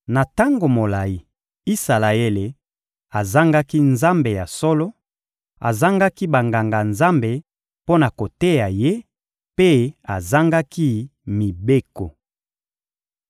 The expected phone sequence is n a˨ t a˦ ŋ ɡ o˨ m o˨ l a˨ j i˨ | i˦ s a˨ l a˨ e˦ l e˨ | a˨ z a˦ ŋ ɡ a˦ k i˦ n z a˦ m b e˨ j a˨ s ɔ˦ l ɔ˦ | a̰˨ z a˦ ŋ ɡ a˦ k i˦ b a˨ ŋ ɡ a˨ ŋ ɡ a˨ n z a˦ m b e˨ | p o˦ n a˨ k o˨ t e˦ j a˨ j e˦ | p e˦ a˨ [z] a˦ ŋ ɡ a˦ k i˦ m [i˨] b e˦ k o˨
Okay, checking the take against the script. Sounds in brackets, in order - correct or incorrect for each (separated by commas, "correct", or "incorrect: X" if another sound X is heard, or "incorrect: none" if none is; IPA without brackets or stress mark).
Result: correct, correct